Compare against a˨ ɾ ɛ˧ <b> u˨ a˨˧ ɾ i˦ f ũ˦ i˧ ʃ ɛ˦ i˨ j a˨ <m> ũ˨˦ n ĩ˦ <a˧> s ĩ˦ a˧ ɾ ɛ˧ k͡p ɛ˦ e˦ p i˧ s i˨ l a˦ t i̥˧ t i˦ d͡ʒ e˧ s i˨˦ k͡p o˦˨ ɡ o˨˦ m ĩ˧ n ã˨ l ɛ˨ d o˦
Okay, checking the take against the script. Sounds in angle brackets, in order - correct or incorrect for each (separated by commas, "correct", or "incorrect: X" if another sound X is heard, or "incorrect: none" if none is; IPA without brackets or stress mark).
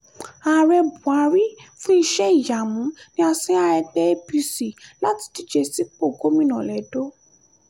correct, correct, correct